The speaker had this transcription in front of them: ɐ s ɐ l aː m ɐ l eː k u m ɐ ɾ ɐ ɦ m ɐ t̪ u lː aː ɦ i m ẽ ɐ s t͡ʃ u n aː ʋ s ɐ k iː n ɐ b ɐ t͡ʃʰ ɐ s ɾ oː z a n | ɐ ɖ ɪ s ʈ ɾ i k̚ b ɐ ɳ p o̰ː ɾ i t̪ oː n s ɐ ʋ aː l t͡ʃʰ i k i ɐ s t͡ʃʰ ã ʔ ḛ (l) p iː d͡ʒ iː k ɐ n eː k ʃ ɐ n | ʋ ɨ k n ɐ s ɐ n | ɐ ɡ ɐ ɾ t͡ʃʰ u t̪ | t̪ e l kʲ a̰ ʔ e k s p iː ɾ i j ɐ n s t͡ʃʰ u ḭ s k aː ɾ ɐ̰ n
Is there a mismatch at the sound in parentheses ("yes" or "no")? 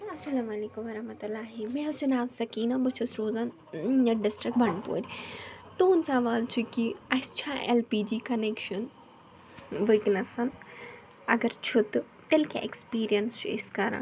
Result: no